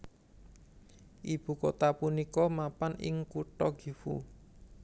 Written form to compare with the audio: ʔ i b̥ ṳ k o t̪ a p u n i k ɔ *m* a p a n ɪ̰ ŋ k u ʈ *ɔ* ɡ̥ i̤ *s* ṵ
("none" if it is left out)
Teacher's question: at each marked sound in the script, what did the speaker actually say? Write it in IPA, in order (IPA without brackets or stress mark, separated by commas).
m, ɔ, f